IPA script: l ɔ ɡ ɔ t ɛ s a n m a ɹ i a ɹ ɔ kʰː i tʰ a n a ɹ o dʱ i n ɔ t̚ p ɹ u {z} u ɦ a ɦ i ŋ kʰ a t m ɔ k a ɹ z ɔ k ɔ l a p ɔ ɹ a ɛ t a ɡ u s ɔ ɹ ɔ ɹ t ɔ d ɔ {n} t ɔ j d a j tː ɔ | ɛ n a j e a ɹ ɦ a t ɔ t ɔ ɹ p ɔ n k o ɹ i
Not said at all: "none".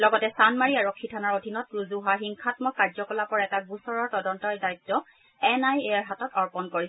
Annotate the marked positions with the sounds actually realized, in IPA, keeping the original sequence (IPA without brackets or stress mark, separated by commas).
z, n